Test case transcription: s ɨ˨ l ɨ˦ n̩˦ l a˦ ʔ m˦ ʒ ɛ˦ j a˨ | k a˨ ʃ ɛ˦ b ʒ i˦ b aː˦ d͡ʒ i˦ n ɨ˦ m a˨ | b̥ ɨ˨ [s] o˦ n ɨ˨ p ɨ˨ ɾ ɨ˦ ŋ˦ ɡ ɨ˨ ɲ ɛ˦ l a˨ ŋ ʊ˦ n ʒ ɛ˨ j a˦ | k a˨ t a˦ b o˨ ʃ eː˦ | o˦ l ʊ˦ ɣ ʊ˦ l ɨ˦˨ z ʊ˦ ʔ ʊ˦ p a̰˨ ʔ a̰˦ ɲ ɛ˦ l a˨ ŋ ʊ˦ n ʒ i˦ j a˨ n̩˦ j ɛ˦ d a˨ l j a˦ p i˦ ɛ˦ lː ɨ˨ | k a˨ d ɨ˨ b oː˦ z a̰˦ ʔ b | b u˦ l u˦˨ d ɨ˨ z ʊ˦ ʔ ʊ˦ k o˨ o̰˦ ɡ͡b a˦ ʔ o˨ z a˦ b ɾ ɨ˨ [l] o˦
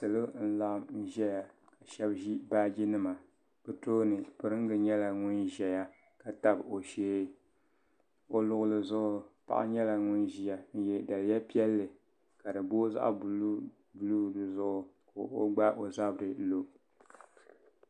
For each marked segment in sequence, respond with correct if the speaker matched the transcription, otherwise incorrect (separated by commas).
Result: incorrect, correct